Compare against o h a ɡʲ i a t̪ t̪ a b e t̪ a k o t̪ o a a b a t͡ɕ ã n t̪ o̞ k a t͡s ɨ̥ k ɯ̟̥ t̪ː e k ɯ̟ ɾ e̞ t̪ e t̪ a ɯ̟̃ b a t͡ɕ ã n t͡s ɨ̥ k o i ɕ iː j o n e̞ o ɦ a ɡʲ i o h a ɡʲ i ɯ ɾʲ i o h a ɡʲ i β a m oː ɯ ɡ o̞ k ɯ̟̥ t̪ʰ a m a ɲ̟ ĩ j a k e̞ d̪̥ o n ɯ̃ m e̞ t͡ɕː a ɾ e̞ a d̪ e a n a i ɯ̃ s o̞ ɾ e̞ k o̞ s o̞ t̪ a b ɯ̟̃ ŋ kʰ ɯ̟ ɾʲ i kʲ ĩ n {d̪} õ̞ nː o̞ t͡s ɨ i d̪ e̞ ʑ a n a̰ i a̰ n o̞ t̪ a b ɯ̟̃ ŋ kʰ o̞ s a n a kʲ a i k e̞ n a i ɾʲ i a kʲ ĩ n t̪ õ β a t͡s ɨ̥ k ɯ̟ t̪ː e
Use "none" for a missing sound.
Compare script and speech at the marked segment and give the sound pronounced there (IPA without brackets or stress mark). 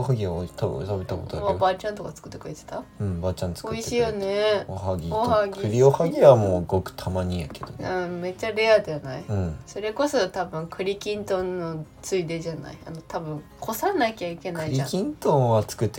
t̪